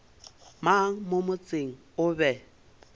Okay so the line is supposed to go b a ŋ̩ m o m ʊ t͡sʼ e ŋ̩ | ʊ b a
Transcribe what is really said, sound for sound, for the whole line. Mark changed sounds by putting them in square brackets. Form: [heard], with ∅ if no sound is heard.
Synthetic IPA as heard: [m] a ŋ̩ m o m ʊ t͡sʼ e ŋ̩ | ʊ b [ɛ]